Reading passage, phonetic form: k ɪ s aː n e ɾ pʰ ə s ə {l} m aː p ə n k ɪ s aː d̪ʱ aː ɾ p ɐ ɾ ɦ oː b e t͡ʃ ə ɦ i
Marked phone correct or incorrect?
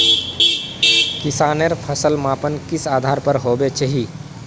correct